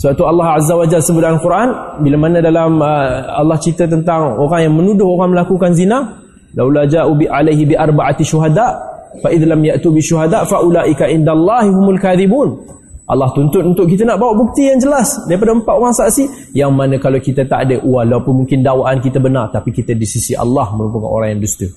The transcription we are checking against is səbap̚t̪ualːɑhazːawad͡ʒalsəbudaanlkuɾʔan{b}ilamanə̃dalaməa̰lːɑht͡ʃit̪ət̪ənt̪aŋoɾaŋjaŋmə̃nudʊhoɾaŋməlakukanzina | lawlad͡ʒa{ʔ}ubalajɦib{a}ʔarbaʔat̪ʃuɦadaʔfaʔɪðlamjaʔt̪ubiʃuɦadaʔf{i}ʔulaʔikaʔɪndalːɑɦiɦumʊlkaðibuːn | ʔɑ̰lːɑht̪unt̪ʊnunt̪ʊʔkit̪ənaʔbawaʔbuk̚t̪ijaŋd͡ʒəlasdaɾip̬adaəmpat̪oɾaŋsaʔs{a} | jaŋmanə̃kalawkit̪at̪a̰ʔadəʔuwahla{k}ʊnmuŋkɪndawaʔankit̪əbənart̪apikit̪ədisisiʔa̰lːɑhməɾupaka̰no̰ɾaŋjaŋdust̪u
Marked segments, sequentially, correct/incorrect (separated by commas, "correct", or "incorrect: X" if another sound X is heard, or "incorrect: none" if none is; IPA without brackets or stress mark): correct, correct, incorrect: i, incorrect: a, incorrect: i, incorrect: p